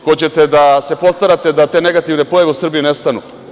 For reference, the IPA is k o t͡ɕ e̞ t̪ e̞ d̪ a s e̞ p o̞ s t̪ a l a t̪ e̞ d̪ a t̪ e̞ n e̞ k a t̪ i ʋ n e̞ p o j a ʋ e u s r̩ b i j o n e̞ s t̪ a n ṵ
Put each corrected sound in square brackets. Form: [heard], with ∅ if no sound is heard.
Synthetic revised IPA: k o t͡ɕ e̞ t̪ e̞ d̪ a s e̞ p o̞ s t̪ a [ɾ] a t̪ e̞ d̪ a t̪ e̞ n e̞ [ɡ] a t̪ i ʋ n e̞ p o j a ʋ e u s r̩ b i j [u] n e̞ s t̪ a n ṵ